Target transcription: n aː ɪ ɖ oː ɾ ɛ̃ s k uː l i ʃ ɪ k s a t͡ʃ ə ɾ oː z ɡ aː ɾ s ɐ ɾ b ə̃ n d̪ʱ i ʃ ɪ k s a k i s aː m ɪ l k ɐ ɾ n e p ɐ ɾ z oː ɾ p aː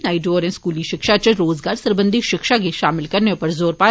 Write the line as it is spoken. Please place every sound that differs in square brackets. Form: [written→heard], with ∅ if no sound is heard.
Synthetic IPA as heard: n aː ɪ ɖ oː ɾ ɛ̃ s k uː l i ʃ ɪ k [s→ʃ] a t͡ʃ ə ɾ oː z ɡ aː ɾ s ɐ ɾ b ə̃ n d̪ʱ i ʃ ɪ k [s→ʃ] a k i [s→ʃ] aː m ɪ l k ɐ ɾ n e p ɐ ɾ z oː ɾ p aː